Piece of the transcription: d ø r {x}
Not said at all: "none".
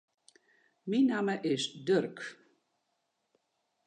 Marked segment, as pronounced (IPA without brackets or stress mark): k